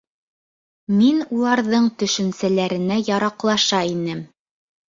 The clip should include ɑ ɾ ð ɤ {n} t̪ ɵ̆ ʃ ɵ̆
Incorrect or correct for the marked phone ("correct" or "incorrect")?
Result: incorrect